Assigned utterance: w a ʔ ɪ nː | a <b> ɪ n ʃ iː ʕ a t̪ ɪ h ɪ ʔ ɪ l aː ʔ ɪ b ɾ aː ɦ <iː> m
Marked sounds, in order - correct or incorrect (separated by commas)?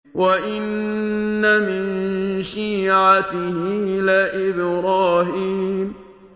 incorrect, correct